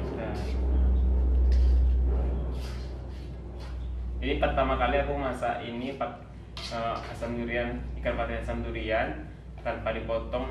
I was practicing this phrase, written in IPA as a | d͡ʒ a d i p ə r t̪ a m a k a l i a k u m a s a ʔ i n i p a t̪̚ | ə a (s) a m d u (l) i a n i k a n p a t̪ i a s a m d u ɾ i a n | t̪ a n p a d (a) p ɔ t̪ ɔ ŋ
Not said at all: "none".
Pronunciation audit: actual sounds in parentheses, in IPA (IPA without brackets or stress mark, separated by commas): s, ɾ, i